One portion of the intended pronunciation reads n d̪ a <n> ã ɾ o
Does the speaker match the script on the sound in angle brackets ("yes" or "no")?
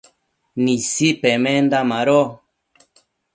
no